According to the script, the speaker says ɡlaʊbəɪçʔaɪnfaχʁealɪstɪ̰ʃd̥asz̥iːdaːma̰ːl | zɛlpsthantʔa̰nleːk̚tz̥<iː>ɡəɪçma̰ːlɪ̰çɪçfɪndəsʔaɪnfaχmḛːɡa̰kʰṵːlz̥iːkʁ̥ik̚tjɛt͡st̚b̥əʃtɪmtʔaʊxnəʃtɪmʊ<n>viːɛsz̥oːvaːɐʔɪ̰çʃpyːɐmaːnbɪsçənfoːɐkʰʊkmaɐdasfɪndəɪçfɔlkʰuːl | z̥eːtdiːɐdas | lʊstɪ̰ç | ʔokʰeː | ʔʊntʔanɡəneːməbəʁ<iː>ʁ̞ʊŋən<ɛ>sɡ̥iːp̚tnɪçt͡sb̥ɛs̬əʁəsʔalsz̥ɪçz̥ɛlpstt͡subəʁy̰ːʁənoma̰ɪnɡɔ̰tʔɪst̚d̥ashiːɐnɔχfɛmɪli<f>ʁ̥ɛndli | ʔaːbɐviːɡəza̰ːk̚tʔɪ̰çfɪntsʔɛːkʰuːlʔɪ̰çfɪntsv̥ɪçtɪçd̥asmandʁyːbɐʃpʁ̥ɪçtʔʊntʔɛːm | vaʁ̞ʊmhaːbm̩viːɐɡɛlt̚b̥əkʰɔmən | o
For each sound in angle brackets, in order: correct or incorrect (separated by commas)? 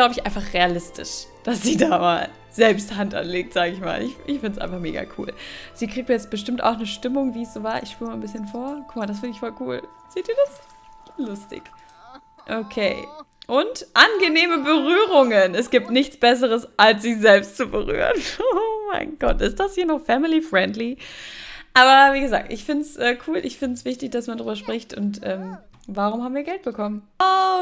incorrect, incorrect, incorrect, correct, correct